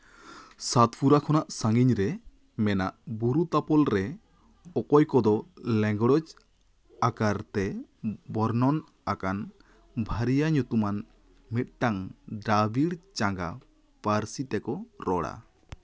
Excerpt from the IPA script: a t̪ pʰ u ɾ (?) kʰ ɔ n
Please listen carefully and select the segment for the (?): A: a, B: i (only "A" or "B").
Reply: A